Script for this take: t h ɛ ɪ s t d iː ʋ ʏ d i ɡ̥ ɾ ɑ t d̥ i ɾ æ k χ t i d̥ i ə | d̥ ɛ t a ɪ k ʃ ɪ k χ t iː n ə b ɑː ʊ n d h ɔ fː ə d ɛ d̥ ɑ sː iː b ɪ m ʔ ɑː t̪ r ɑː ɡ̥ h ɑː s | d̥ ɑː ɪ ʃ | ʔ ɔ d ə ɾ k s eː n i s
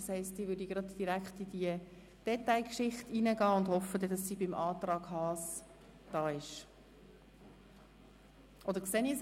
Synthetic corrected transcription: s h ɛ ɪ s t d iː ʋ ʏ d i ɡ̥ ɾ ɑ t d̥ i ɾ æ k χ t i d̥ i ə | d̥ ɛ t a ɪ k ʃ ɪ χ t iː n ə ɡ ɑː ʊ n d h ɔ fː ə d ɛ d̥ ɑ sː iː b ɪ m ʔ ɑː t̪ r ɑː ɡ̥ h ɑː s | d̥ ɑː ɪ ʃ | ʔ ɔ d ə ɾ k s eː n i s

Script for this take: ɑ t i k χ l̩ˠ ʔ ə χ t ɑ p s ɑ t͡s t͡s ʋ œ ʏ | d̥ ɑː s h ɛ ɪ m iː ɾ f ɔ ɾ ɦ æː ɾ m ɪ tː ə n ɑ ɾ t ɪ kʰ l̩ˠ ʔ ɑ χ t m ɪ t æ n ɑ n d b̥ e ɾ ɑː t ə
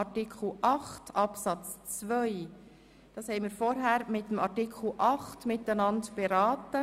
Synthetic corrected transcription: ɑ t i k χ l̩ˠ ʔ ɑ χ t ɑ p s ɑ t͡s t͡s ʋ œ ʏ | d̥ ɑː s h ɛ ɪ m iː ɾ f ɔ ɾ ɦ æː ɾ m ɪ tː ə m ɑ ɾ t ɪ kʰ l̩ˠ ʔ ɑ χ t m ɪ t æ n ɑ n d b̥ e ɾ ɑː t ə

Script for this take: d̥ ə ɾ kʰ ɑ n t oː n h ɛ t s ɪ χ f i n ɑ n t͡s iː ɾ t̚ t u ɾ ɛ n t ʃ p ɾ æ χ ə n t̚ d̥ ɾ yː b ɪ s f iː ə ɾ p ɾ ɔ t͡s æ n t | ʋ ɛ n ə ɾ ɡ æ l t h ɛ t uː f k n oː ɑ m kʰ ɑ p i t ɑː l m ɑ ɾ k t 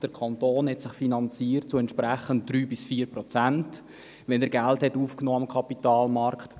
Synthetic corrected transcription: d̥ ə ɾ kʰ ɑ n t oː n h ɛ t s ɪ χ f i n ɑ n t͡s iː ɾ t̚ t͡s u ɛ n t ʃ p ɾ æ χ ə n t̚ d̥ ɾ yː b ɪ s f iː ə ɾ p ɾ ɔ t͡s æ n t | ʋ ɛ n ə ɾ ɡ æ l t h ɛ t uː f k n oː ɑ m kʰ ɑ p i t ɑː l m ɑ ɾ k t

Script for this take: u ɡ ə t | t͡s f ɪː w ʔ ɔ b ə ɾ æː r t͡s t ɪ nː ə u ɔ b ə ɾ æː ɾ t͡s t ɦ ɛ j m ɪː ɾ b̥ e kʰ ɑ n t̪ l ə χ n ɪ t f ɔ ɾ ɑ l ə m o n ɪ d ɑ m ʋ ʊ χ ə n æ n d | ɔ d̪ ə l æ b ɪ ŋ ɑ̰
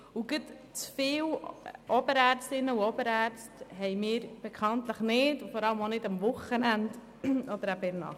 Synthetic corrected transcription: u ɡ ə t | t͡s f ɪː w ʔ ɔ b ə ɾ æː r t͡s t ɪ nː ə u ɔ b ə ɾ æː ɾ t͡s t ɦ ɛ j m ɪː ɾ b̥ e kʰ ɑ n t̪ l ə χ n ɪ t f ɔ ɾ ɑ l ə m o n ɪ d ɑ m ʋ ʊ χ ə n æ n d | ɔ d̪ ə ɾ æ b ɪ n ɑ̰

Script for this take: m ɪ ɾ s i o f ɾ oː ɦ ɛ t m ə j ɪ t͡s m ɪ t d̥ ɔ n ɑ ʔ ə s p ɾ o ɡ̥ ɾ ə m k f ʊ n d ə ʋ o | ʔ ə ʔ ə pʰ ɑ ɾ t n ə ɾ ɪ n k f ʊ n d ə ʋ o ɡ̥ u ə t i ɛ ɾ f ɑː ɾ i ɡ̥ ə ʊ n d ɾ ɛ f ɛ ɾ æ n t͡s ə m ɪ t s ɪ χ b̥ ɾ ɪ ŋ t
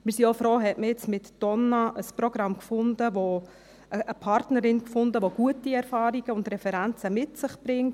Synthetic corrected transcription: m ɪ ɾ s i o f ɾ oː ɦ ɛ t m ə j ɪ t͡s m ɪ t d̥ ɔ n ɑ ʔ ə s p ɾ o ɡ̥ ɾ ɑ m k f ʊ n d ə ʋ o | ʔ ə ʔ ə pʰ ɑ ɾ t n ə ɾ ɪ n k f ʊ n d ə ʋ o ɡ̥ u ə t i ɛ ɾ f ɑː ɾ i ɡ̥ ə ʊ n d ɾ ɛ f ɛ ɾ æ n t͡s ə m ɪ t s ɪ χ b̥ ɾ ɪ ŋ t

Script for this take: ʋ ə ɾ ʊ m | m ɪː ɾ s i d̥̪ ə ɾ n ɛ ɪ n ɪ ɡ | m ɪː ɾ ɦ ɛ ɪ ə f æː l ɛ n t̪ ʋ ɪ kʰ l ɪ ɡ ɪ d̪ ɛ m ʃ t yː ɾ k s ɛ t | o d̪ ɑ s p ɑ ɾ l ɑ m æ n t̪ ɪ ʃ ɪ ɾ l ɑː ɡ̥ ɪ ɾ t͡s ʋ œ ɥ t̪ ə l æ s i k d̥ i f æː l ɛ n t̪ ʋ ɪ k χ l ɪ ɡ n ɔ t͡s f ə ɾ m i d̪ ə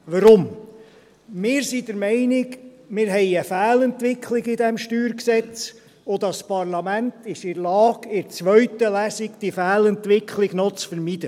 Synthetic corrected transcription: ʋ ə ɾ ʊ m | m ɪː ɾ s i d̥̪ ə ɾ m ɛ ɪ n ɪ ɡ | m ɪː ɾ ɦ ɛ ɪ ə f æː l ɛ n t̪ ʋ ɪ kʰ l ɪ ɡ ɪ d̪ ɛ m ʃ t yː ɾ k s ɛ t͡s | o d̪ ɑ s p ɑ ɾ l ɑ m æ n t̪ ɪ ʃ ɪ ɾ l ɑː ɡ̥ ɪ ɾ t͡s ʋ œ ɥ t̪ ə l æ s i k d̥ i f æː l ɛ n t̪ ʋ ɪ k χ l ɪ ɡ n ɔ t͡s f ə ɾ m i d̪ ə

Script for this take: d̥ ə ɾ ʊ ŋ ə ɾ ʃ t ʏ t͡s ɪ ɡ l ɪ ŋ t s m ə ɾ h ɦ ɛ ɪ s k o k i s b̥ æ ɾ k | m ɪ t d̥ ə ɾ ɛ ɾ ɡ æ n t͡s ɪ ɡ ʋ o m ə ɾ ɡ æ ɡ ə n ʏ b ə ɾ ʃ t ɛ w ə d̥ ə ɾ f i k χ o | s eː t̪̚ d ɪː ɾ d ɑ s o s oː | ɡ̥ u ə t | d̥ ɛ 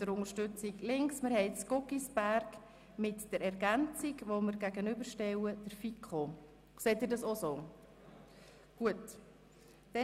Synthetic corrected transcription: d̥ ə ɾ ʊ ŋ ə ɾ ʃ t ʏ t͡s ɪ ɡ l ɪ ŋ k s m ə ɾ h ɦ ɛ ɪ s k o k i s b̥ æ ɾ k | m ɪ t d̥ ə ɾ ɛ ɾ ɡ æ n t͡s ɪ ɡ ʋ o m ə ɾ ɡ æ ɡ ə n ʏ b ə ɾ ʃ t ɛ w ə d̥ ə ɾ f i k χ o | s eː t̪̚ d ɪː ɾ d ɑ s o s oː | ɡ̥ u ə t | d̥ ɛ

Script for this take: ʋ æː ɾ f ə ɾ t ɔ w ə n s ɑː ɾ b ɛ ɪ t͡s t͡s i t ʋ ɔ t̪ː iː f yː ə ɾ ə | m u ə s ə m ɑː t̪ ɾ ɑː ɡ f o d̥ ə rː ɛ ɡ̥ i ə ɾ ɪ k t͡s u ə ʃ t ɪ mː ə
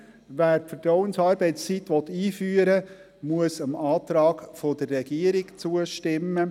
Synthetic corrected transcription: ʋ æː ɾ f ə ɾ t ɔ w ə n s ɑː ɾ b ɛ ɪ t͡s t͡s i t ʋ ɔ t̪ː iː f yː ə ɾ ə | m u ə s ə m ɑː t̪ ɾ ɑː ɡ f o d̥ ə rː ɛ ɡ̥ i ə ɾ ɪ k t͡s u ə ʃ t ɪ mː ə

